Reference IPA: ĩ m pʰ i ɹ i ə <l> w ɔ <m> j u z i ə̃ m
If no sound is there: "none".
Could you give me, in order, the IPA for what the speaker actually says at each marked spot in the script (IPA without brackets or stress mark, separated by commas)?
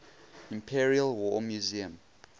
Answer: l, m